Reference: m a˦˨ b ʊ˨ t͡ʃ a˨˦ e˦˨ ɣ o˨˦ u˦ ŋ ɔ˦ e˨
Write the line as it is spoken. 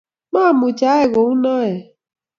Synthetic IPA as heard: m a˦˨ m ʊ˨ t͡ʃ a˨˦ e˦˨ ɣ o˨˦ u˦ n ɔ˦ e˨